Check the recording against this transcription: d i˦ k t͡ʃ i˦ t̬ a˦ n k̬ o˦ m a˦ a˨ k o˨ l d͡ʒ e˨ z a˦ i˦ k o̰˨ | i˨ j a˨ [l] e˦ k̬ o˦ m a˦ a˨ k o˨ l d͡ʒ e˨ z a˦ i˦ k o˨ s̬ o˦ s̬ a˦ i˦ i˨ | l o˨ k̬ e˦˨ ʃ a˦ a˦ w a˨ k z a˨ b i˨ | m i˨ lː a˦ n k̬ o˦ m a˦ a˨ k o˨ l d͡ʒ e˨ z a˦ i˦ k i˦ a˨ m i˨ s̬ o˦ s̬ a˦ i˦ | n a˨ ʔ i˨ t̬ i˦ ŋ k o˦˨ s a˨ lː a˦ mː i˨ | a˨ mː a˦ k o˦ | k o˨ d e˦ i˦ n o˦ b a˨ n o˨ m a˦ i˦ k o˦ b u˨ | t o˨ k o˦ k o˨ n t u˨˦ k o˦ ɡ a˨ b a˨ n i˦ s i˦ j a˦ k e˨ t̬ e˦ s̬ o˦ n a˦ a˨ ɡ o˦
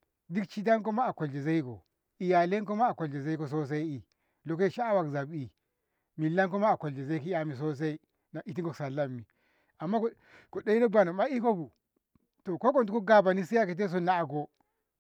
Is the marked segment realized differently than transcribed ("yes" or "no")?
no